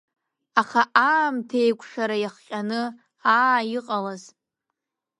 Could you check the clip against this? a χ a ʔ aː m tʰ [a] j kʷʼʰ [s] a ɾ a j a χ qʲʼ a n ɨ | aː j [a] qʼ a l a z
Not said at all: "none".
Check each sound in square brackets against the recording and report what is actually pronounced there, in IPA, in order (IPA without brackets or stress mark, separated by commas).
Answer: e, ʂ, i